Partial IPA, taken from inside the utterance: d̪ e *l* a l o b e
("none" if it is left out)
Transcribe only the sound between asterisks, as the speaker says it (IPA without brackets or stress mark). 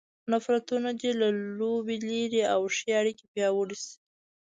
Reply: l